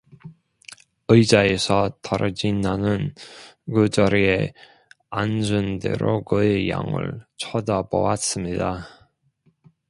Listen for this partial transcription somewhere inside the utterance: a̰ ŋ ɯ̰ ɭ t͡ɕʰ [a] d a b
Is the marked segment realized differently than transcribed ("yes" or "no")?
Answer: yes